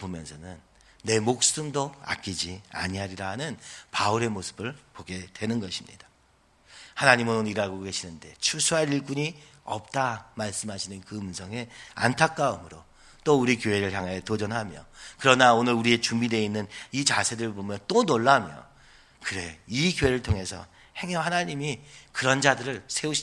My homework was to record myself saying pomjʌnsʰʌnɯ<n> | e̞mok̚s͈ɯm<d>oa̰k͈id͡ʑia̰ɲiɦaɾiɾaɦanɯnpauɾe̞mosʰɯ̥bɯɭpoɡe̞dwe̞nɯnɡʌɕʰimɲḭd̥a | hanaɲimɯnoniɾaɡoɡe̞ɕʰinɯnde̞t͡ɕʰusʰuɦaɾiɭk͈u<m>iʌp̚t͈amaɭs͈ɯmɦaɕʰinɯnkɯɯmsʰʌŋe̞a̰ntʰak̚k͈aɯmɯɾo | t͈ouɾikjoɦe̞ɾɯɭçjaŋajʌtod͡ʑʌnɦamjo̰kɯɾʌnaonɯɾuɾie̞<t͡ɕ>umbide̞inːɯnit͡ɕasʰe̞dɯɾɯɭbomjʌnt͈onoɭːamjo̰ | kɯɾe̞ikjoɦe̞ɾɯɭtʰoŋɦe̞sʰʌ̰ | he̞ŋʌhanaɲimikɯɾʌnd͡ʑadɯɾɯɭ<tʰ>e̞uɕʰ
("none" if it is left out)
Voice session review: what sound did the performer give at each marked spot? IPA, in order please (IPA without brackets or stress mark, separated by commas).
nː, d, ɲ, t͡ɕ, sʰ